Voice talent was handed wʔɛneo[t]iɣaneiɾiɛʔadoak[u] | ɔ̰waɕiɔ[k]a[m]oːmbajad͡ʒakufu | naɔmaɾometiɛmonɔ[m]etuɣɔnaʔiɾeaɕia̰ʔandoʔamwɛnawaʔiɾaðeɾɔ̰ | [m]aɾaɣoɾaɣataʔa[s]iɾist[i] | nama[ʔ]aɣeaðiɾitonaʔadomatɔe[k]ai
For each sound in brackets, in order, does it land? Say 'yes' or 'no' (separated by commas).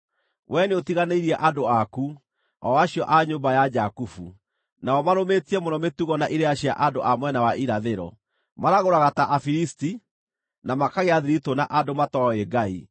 yes, yes, no, no, yes, yes, no, yes, no, no